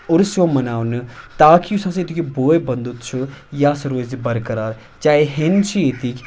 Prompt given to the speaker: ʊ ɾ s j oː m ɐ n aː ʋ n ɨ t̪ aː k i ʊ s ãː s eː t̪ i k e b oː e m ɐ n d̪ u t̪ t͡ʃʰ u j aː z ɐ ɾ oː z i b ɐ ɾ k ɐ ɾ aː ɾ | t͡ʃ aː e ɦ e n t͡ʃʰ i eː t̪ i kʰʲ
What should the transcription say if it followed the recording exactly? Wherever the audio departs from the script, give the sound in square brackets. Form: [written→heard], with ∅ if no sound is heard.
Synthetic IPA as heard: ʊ ɾ s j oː m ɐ n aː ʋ n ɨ t̪ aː k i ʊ s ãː s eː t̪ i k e b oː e [m→b] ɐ n d̪ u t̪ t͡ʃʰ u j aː [z→s] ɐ ɾ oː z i b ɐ ɾ k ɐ ɾ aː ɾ | t͡ʃ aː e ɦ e n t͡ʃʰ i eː t̪ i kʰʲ